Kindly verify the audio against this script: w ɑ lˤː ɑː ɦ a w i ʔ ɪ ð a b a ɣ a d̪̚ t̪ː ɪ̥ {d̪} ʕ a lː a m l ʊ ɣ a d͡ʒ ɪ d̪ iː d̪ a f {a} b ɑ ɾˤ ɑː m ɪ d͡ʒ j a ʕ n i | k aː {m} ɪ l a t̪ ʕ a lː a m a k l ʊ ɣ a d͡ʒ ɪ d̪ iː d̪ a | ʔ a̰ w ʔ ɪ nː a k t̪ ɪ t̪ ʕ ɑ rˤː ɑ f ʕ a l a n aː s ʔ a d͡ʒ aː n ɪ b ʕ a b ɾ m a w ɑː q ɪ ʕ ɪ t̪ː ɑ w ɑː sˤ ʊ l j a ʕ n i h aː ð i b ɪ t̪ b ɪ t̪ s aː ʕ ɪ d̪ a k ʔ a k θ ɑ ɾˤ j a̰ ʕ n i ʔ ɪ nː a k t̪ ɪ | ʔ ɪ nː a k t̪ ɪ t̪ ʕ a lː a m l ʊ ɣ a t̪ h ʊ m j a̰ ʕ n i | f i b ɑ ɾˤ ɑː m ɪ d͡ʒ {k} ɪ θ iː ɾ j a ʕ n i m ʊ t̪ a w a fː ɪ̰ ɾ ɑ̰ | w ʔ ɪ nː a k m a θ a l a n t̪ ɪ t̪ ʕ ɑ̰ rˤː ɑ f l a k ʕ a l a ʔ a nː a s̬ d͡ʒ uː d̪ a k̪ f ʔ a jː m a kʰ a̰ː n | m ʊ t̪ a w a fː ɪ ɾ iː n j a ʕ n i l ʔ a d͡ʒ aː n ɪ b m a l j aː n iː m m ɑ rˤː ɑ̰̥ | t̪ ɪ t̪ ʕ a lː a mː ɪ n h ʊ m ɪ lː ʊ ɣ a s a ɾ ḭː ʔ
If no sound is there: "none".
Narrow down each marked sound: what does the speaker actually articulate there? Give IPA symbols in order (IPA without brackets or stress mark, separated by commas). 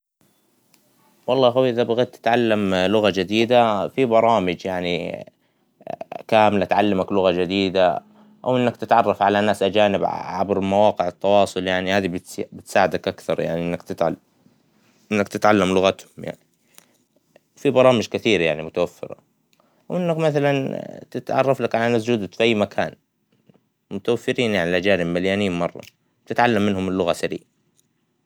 t̪, i, m, k